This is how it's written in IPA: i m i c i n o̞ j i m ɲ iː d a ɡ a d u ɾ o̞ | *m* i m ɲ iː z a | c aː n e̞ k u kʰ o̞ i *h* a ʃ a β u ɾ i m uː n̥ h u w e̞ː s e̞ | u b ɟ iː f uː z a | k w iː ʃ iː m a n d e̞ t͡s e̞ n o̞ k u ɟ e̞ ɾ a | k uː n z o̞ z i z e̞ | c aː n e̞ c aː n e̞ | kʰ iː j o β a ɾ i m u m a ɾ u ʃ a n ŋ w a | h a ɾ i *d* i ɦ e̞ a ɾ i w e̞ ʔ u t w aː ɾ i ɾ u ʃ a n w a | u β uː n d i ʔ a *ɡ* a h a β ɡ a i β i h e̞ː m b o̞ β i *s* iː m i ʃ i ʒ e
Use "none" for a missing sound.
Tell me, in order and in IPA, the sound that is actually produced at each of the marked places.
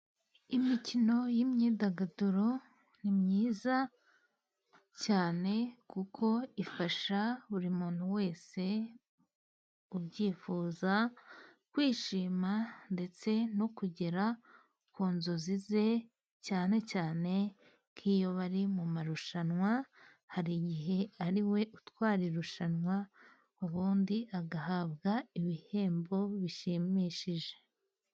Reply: n, f, ɟ, ɡ, ʃ

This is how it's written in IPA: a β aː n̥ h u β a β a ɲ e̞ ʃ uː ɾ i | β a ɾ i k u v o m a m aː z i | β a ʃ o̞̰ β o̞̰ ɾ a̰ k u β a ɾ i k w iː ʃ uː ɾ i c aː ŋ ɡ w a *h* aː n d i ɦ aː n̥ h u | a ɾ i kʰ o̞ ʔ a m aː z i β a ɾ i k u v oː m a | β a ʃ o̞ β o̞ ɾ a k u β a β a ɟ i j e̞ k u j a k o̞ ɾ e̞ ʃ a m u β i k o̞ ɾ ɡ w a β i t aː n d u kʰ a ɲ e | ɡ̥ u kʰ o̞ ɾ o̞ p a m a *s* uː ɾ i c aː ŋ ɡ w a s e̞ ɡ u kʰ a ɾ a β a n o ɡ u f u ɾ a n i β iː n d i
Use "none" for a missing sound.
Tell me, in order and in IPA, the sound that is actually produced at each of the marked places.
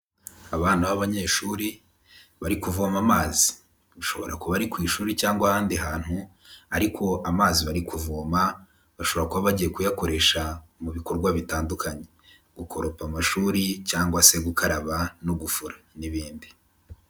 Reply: h, ʃ

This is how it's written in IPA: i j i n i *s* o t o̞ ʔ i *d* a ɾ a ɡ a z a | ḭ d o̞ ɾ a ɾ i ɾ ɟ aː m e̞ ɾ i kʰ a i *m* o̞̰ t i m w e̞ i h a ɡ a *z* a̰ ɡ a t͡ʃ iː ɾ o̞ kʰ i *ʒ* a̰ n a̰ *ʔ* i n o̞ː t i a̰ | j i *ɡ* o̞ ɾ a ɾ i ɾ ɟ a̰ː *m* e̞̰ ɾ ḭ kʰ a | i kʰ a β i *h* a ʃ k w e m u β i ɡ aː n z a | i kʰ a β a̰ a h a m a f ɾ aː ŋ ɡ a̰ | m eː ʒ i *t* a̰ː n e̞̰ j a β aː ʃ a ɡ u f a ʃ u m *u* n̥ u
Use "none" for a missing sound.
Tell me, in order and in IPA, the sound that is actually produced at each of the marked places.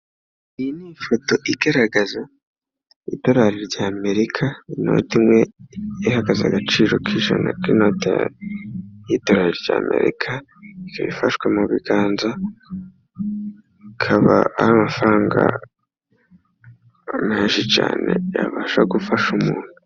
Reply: f, ɡ, n, z, ʒ, k, d, m, f, t͡ʃ, uː

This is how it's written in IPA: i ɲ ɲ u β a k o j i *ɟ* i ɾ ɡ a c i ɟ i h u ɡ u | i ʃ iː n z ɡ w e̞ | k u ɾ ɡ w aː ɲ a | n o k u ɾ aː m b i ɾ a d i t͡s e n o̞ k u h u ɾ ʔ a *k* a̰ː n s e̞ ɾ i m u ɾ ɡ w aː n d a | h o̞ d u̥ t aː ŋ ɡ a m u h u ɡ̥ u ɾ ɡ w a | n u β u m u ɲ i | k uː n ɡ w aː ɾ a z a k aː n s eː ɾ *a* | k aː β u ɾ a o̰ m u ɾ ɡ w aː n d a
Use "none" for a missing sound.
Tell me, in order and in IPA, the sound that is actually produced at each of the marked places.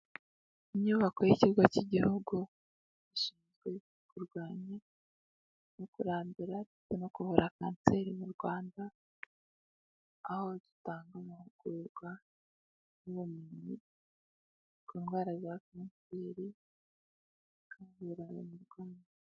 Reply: c, k, i

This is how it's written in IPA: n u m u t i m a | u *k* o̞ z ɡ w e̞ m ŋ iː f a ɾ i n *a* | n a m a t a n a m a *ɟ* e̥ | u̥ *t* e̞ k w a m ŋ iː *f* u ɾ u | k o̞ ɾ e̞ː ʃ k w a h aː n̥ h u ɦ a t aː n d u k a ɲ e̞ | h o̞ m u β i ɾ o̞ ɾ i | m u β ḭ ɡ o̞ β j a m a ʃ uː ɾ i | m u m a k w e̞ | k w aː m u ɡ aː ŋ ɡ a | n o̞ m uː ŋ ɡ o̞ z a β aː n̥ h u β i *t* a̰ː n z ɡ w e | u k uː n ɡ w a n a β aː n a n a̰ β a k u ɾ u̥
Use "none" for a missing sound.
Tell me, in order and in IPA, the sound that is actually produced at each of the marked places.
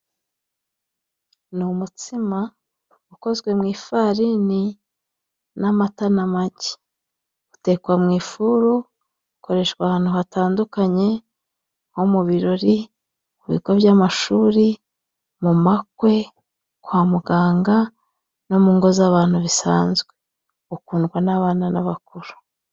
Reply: k, i, ɟ, t, f, s

